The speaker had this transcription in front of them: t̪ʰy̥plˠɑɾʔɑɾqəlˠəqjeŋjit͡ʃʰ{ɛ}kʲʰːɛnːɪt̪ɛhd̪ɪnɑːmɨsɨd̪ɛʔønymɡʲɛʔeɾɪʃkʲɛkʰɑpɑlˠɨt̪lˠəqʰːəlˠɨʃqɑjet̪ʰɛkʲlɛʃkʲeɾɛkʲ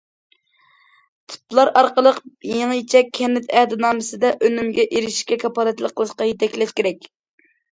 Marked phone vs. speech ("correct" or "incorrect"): correct